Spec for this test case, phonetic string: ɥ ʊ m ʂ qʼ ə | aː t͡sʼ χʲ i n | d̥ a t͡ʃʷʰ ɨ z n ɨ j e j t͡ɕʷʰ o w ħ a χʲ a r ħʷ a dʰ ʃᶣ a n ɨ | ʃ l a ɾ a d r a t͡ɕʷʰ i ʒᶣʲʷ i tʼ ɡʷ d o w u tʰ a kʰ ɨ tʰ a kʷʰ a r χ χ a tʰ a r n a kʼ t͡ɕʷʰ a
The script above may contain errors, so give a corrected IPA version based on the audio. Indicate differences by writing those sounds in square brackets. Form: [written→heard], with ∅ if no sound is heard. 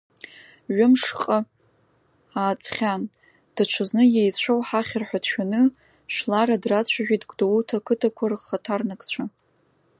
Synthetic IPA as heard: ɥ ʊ m ʂ qʼ ə | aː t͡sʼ χʲ [i→a] n | d̥ a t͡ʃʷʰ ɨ z n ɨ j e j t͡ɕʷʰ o w ħ a χʲ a r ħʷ a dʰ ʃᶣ a n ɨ | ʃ l a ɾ a d r a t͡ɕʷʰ [i→a] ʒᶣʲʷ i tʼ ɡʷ d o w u tʰ a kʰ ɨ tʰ a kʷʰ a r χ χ a tʰ a r n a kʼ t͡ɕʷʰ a